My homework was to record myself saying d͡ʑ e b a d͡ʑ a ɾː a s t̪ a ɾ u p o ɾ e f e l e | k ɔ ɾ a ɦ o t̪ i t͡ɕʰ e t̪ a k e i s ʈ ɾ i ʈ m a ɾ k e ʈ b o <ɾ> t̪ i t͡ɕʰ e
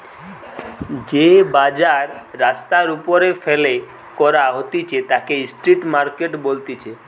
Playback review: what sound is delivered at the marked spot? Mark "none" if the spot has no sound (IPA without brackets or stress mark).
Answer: l